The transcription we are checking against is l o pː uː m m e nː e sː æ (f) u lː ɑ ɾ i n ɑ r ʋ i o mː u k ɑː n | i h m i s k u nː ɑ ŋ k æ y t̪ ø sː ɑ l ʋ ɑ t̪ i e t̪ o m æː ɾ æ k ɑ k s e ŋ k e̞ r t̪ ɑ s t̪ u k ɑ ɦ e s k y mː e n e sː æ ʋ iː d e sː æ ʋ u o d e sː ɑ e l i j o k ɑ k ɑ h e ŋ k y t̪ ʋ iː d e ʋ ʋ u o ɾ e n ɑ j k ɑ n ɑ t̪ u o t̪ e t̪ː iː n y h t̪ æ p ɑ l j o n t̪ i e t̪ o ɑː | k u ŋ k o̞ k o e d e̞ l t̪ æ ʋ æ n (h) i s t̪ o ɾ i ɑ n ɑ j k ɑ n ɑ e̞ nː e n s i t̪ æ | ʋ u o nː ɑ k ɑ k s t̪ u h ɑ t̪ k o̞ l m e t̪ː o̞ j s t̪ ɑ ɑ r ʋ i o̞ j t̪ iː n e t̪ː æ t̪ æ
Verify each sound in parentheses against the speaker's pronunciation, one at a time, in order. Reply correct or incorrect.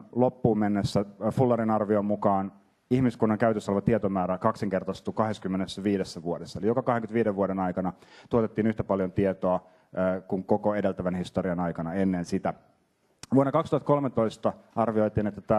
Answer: correct, correct

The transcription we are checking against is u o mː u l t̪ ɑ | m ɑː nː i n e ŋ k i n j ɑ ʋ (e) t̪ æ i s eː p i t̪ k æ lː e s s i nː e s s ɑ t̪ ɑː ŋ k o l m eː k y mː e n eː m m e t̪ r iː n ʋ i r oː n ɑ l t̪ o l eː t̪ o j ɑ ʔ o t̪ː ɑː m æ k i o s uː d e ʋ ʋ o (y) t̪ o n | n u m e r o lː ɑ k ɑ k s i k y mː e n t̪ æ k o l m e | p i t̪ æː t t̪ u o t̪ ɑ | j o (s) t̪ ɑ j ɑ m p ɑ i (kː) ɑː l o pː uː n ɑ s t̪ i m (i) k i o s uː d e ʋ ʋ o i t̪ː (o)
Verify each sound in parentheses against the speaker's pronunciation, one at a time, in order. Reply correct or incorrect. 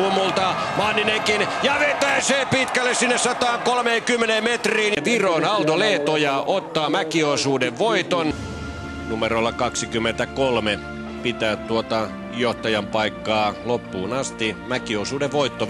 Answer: correct, incorrect: i, incorrect: h, correct, incorrect: æ, correct

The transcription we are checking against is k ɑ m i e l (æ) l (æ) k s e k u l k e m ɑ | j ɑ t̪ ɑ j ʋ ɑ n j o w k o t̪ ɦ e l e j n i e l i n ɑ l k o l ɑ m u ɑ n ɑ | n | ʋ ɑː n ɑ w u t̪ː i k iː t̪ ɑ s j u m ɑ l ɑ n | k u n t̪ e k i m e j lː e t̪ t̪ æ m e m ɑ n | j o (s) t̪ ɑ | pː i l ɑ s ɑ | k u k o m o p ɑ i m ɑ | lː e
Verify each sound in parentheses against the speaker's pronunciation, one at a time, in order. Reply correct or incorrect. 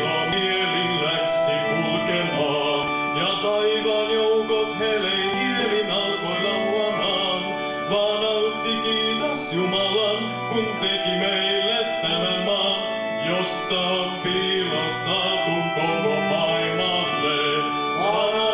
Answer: incorrect: i, correct, correct

